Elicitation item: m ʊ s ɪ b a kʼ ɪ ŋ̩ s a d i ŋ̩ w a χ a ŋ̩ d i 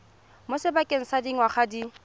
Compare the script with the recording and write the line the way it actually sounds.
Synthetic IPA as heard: m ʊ s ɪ b a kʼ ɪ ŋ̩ s a d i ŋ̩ w a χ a d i